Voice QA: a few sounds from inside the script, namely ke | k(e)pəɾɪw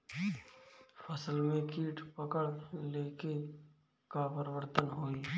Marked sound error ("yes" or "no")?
yes